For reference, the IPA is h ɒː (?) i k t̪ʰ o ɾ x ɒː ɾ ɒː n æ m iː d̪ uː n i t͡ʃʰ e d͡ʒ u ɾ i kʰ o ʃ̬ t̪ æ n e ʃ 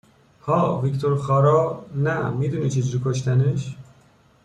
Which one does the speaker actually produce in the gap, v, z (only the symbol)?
v